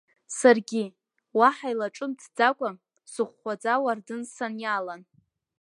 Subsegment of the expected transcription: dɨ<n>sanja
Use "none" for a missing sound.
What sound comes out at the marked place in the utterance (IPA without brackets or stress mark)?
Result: n